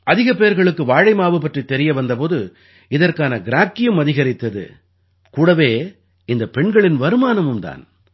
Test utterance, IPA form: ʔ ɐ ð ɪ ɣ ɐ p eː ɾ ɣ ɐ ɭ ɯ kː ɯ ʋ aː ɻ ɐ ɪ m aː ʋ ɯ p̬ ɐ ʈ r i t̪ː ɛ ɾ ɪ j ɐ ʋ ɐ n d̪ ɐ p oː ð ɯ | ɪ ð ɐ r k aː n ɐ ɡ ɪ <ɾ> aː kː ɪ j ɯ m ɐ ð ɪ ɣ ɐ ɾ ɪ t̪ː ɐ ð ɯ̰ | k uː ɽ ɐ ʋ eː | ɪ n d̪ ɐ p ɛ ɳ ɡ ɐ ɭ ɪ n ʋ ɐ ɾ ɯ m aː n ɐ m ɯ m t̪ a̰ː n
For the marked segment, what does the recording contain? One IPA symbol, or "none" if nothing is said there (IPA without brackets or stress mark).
ɾ